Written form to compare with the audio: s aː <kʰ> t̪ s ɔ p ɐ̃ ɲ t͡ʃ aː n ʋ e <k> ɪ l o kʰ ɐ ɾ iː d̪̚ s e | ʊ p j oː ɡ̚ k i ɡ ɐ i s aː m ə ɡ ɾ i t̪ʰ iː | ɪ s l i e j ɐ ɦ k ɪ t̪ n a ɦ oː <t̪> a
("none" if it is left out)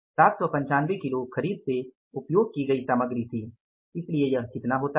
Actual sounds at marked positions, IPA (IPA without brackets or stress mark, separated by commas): none, k, t̪